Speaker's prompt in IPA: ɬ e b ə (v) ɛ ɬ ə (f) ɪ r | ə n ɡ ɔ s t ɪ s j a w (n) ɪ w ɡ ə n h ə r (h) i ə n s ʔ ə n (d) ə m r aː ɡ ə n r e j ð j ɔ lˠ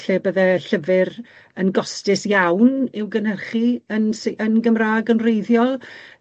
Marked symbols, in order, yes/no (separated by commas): no, no, yes, no, no